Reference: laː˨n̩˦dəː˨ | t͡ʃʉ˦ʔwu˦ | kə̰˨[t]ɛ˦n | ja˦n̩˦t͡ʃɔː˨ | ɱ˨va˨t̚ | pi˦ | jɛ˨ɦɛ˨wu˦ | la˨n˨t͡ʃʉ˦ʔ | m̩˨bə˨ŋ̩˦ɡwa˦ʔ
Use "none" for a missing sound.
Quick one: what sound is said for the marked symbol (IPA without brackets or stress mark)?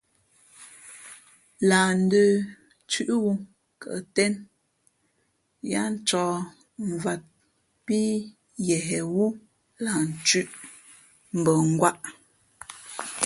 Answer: t